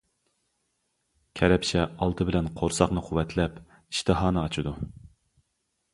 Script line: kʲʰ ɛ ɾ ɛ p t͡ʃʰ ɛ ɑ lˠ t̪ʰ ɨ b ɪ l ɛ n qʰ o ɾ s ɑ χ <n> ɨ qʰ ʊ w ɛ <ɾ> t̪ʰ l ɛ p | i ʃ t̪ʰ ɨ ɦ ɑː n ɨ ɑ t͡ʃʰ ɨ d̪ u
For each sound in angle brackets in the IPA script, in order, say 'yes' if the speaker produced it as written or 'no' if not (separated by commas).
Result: yes, no